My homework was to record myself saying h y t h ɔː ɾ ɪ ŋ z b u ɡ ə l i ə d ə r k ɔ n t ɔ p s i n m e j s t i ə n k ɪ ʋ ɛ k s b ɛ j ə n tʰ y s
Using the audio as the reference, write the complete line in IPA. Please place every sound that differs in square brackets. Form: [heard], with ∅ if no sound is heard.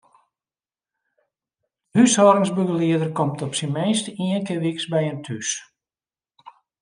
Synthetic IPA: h y [s] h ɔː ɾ ɪ ŋ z b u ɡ ə l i ə d ə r k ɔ [m] t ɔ p s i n m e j s t i ə n k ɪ ʋ [i] k s b ɛ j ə n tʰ y s